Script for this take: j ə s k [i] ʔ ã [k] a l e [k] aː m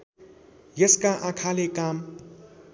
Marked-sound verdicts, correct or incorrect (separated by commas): incorrect, incorrect, correct